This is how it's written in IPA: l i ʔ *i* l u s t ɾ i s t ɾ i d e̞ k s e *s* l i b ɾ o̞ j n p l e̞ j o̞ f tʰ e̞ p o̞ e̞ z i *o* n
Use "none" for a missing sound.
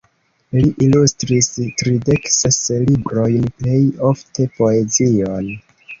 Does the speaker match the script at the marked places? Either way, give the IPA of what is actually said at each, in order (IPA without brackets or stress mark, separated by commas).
i, s, o